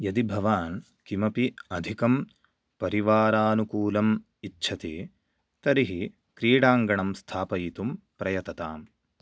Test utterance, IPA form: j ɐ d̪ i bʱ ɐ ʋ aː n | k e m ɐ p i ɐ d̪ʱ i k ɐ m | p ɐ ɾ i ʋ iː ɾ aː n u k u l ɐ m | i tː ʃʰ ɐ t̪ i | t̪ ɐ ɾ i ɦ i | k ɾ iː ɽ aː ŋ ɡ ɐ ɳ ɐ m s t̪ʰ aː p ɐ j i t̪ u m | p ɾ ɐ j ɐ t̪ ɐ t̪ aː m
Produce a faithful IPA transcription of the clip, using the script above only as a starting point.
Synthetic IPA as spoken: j ɐ d̪ i bʱ ɐ ʋ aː n | k i m ɐ p i ɐ d̪ʱ i k ɐ m | p ɐ ɾ i ʋ aː ɾ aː n u k uː l ɐ m | i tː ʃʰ ɐ t̪ i | t̪ ɐ ɾ i ɦ i | k ɾ iː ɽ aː ŋ ɡ ɐ ɳ ɐ m s t̪ʰ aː p ɐ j i t̪ u m | p ɾ ɐ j ɐ t̪ ɐ t̪ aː m